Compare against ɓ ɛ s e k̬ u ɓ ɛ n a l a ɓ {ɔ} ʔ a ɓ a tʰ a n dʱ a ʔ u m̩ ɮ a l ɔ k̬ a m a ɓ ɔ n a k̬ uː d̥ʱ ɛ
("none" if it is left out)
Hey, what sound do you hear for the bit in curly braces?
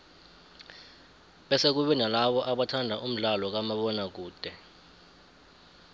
ɔ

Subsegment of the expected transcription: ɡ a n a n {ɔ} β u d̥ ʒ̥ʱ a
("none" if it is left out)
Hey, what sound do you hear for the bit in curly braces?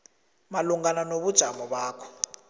o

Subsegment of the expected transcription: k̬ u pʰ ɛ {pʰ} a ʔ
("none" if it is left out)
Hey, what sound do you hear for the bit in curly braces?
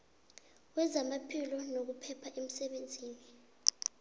pʰ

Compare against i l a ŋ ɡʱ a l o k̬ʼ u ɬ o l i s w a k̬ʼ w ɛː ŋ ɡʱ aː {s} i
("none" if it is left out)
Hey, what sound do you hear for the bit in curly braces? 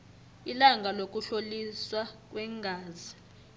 z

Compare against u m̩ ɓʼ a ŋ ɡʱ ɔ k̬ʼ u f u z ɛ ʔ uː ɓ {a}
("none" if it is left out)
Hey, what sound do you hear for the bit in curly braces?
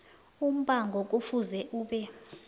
ɛ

